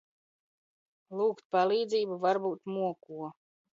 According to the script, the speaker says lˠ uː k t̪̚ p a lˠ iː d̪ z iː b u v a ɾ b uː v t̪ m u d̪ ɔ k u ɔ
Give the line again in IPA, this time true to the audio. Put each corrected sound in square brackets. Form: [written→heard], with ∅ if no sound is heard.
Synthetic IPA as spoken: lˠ uː k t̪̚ p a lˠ iː d̪ z iː b u v a ɾ b uː [v→∅] t̪ m u [d̪→∅] ɔ k u ɔ